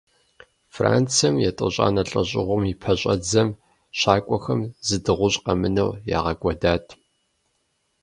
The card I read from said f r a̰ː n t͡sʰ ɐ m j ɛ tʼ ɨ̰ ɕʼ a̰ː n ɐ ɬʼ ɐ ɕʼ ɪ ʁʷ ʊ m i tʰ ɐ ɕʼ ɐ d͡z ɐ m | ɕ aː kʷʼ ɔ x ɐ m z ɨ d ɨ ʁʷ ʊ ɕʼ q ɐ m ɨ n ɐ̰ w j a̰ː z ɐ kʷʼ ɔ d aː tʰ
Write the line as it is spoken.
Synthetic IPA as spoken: f r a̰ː n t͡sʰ ɐ m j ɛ tʼ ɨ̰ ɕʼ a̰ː n ɐ ɬʼ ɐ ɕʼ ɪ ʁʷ ʊ m i pʰ ɐ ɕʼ ɐ d͡z ɐ m | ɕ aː kʷʼ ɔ x ɐ m z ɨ d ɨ ʁʷ ʊ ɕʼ q ɐ m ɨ n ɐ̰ w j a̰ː ʁ ɐ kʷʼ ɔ d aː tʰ